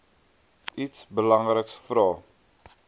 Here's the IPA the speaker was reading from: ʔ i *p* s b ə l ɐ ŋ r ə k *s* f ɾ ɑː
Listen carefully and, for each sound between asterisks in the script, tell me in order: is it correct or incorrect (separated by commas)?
incorrect, correct